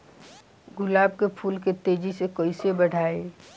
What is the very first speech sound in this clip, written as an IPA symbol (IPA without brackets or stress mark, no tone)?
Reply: ɡ